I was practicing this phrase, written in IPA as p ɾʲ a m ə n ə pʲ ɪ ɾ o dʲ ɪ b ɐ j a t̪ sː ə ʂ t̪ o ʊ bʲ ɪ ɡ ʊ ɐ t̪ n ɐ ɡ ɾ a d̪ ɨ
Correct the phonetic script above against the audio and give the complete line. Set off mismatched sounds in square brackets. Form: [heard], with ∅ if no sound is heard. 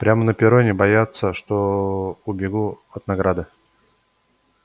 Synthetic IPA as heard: p ɾʲ a m ə n ə pʲ ɪ ɾ o [nʲ] ɪ b ɐ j a t̪ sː ə ʂ t̪ o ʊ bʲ ɪ ɡ [u] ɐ t̪ n ɐ ɡ ɾ a d̪ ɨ